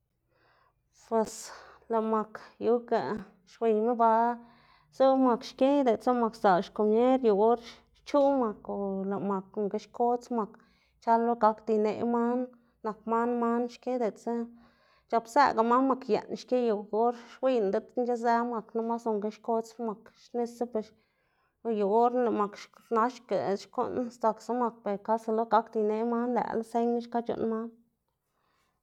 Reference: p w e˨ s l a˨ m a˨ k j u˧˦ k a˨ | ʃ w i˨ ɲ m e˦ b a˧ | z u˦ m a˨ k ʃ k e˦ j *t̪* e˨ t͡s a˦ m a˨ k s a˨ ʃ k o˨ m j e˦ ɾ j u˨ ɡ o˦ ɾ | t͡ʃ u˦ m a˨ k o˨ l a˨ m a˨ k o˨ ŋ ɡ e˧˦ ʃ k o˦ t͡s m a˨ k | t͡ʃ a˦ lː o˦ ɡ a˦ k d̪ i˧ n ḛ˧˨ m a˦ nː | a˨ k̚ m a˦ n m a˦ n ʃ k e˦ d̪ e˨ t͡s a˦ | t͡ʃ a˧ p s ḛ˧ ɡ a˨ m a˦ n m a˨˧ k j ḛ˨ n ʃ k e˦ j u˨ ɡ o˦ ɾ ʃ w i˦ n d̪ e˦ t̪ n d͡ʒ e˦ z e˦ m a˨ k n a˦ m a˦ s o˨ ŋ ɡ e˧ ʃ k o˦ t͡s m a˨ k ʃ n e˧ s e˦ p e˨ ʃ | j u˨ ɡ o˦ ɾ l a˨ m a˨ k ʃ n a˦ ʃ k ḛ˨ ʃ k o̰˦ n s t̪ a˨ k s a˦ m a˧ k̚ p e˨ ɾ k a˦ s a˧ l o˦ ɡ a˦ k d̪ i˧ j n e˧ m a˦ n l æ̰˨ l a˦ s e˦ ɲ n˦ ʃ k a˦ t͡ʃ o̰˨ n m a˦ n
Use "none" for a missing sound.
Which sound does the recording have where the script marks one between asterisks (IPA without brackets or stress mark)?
d̪